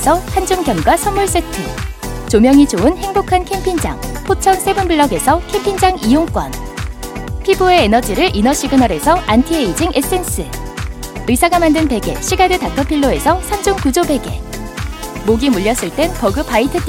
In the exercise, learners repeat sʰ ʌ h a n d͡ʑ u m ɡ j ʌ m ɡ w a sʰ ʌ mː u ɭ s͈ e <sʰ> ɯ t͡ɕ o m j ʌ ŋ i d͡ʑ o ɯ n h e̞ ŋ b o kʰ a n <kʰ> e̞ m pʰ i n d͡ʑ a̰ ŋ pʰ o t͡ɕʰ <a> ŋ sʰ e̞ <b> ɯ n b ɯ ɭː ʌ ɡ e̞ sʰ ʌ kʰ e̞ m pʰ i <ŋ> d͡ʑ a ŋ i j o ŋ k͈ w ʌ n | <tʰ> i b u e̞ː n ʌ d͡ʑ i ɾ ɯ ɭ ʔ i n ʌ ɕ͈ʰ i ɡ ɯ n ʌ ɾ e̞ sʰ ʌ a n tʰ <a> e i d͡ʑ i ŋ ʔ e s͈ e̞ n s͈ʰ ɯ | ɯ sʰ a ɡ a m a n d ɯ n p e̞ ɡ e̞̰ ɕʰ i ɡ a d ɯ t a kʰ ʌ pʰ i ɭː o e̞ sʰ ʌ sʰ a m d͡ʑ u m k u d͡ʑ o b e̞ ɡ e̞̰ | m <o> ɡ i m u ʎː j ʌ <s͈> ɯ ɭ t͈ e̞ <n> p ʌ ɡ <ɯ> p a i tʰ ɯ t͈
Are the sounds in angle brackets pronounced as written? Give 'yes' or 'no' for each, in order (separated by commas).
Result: no, yes, no, yes, no, no, no, yes, yes, yes, yes